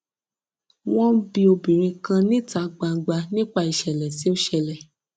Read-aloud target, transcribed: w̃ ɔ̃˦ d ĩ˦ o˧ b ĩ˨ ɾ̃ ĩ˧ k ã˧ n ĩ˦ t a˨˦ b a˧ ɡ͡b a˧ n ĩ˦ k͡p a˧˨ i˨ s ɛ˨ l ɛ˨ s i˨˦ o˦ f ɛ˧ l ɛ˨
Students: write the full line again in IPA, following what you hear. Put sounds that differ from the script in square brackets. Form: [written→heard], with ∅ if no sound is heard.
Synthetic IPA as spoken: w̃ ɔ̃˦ [d→b] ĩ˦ o˧ b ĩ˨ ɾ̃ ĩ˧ k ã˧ n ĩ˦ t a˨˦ [b→ɡ͡b] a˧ ɡ͡b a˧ n ĩ˦ k͡p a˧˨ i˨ [s→ʃ] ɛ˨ l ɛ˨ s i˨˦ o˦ [f→ʃ] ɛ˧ l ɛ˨